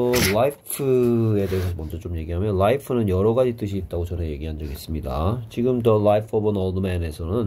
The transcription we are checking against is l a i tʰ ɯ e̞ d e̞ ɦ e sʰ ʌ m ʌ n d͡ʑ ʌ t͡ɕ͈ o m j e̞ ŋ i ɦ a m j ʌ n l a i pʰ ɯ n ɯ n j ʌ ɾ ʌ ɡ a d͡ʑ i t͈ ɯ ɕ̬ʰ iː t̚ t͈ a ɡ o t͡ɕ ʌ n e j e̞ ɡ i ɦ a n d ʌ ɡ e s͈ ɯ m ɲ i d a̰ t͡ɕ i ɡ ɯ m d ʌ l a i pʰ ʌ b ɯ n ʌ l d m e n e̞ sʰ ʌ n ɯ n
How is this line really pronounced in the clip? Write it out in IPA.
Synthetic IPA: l a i pʰ ɯ e̞ d e̞ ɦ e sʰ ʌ m ʌ n d͡ʑ ʌ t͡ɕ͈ o m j e̞ ɡ i ɦ a m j ʌ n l a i pʰ ɯ n ɯ n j ʌ ɾ ʌ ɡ a d͡ʑ i t͈ ɯ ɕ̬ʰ iː t̚ t͈ a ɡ o t͡ɕ ʌ n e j e̞ ɡ i ɦ a n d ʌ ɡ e s͈ ɯ m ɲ i d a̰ t͡ɕ i ɡ ɯ m d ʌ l a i pʰ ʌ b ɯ n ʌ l d m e n e̞ sʰ ʌ n ɯ n

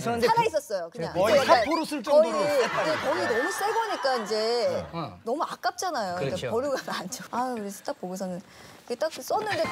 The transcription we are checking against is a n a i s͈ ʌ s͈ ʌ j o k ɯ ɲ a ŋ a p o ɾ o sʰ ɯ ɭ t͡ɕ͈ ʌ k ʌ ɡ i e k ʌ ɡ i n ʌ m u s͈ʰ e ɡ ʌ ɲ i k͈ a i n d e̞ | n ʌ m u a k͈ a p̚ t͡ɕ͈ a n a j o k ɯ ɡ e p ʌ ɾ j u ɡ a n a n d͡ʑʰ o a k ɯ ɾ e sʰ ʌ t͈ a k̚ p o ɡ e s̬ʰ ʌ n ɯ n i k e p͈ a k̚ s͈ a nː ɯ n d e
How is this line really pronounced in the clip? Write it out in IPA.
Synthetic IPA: a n a i s͈ ʌ s͈ ʌ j o k ɯ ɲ a ŋ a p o ɾ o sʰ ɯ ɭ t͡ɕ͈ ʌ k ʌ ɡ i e k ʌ ɡ i n ʌ m u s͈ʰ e ɡ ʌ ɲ i k͈ a i n d͡ʑ e̞ | n ʌ m u a k͈ a p̚ t͡ɕ͈ a n a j o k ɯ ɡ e p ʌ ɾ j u ɡ a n a n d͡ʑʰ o a k ɯ ɾ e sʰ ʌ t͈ a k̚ p o ɡ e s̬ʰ ʌ n ɯ n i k e t͈ a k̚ s͈ ʌ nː ɯ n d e

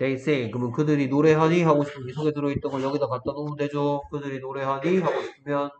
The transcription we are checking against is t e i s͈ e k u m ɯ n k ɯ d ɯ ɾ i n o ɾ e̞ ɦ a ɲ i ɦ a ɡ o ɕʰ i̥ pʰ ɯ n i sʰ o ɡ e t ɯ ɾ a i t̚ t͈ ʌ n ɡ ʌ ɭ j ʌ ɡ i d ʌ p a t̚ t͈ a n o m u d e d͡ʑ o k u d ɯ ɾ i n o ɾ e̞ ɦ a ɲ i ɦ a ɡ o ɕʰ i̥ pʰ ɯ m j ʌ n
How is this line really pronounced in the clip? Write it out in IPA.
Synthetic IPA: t e i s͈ e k ɯ m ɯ n k ɯ d ɯ ɾ i n o ɾ e̞ ɦ a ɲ i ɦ a ɡ o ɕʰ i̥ pʰ ɯ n i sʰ o ɡ e t ɯ ɾ ʌ i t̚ t͈ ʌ n ɡ ʌ ɭ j ʌ ɡ i d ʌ k a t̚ t͈ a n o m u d e d͡ʑ o k ɯ d ɯ ɾ i n o ɾ e̞ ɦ a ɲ i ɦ a ɡ o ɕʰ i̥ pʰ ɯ m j ʌ n

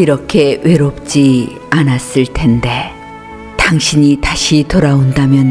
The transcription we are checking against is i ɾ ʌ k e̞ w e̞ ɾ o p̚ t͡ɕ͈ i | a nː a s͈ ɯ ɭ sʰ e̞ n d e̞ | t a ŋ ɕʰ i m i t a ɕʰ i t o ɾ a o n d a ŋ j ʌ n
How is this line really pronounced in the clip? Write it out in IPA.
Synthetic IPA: i ɾ ʌ kʰ e̞ w e̞ ɾ o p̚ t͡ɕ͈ i | a n a s͈ ɯ ɭ tʰ e̞ n d e̞ | t a ŋ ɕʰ i ɲ i t a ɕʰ i t o ɾ a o n d a m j ʌ n

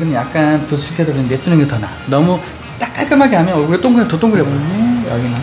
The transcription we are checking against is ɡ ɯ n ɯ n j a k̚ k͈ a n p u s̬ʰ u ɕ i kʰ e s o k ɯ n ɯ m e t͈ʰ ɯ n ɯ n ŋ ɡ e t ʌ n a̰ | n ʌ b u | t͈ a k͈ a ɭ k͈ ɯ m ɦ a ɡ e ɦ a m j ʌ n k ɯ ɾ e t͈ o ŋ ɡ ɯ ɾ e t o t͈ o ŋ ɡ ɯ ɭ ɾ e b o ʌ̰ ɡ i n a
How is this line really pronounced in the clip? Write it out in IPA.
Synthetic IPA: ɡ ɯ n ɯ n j a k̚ k͈ a n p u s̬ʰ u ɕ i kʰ e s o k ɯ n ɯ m e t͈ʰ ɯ n ɯ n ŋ ɡ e t ʌ n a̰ | n ʌ m u | t͈ a k͈ a ɭ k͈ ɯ m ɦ a ɡ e ɦ a m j ʌ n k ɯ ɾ e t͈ o ŋ ɡ ɯ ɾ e t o t͈ o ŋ ɡ ɯ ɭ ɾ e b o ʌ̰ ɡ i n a

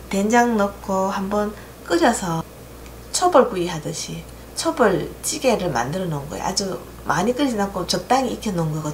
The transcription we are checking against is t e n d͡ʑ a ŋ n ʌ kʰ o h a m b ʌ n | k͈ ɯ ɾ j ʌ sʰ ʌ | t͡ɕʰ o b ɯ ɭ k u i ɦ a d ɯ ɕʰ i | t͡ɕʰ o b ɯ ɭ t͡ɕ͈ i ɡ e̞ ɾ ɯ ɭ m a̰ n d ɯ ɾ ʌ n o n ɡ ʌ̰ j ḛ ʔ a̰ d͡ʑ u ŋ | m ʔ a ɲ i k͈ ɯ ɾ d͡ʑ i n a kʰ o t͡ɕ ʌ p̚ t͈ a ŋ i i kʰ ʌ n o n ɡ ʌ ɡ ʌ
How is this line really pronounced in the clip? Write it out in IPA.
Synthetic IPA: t e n d͡ʑ a ŋ n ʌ kʰ o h a m b ʌ n | k͈ ɯ ɾ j ʌ sʰ ʌ | t͡ɕʰ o b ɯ ɭ k u i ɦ a d ɯ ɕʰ i | t͡ɕʰ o b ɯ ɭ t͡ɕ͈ i ɡ e̞ ɾ ɯ ɭ m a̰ n d ɯ ɾ ʌ n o n ɡ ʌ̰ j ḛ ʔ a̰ d͡ʑ u | m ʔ a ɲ i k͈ ɯ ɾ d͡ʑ i n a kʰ o t͡ɕ ʌ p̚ t͈ a ŋ i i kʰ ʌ n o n ɡ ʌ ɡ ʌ

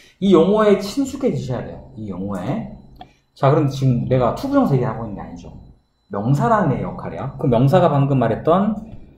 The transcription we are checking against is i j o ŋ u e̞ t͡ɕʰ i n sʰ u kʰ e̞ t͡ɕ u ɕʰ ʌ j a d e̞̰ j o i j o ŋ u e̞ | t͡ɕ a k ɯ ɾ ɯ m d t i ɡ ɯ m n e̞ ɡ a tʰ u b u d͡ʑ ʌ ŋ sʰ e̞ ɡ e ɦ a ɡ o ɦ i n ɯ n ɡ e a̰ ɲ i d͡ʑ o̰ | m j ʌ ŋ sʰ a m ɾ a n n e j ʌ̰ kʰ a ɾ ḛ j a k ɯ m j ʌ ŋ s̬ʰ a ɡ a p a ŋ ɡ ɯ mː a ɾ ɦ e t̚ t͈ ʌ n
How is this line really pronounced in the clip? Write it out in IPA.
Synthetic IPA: i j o ŋ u e̞ t͡ɕʰ i n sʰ u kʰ e̞ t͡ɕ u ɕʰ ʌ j a d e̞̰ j o i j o ŋ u e̞ | t͡ɕ a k ɯ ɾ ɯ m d t͡ɕ i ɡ ɯ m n e̞ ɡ a tʰ u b u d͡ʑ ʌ ŋ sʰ e̞ ɡ e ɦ a ɡ o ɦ i n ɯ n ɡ e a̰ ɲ i d͡ʑ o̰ | m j ʌ ŋ sʰ a ɾ a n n e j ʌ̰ kʰ a ɾ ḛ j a k ɯ m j ʌ ŋ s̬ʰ a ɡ a p a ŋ ɡ ɯ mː a ɾ ɦ e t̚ t͈ ʌ n

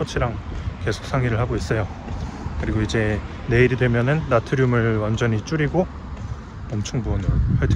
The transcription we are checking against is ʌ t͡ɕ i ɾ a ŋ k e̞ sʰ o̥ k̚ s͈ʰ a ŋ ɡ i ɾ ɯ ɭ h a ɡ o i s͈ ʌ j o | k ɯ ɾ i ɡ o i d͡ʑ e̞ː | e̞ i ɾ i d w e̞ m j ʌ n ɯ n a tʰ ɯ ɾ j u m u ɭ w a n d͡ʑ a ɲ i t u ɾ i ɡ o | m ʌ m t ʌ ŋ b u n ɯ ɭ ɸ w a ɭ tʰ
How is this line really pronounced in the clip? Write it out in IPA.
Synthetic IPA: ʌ t͡ɕʰ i ɾ a ŋ k e̞ sʰ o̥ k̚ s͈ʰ a ŋ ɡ i ɾ ɯ ɭ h a ɡ o i s͈ ʌ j o | k ɯ ɾ i ɡ o i d͡ʑ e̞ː | e̞ i ɾ i d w e̞ m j ʌ n ɯ nː a tʰ ɯ ɾ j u m ɯ ɭ w a n d͡ʑ ʌ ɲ i t͡ɕ͈ u ɾ i ɡ o | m ʌ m t͡ɕʰ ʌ ŋ b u n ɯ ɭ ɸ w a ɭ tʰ

